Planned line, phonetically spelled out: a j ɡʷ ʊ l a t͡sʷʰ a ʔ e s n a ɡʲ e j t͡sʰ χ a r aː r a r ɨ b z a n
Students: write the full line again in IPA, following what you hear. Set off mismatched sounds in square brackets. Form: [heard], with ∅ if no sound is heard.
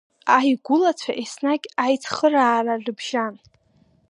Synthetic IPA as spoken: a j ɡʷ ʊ l a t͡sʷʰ a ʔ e s n a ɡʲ [a] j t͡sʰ χ [ə] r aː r a r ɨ b [ʒ] a n